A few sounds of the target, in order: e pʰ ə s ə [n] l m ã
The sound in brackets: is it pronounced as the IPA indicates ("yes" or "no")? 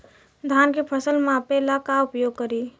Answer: no